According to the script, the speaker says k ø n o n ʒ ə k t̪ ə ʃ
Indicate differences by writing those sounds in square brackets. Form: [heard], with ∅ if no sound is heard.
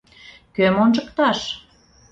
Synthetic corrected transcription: k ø [m] o n ʒ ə k t̪ [ɑ] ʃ